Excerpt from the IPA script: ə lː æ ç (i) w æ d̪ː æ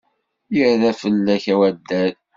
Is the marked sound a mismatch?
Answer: yes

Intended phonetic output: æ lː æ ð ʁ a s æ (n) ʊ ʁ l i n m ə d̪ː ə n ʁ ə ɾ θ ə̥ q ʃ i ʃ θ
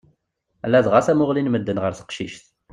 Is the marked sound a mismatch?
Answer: yes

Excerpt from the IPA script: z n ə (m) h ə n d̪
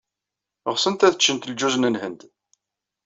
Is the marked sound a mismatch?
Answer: yes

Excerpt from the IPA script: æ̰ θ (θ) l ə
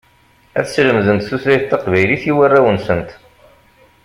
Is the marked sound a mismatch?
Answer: yes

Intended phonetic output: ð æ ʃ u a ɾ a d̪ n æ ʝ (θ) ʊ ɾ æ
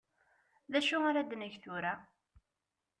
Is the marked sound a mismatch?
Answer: no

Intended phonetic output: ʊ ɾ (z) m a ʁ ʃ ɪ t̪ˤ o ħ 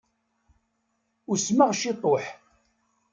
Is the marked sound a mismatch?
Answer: yes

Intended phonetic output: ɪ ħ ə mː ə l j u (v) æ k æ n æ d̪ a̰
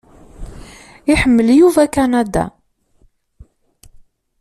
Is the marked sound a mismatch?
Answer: no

